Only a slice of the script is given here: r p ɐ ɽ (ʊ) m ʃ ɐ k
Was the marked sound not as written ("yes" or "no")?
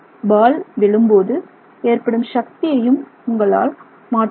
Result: yes